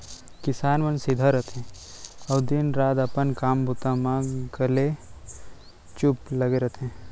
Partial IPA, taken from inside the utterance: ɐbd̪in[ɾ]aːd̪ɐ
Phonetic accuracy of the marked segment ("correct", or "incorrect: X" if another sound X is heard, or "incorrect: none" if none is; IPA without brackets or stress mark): correct